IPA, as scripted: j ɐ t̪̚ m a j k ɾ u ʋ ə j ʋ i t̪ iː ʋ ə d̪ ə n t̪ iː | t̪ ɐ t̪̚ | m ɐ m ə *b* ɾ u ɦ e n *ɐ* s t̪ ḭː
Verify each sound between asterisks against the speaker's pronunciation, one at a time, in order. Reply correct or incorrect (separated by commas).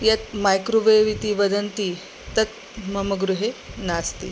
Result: incorrect, incorrect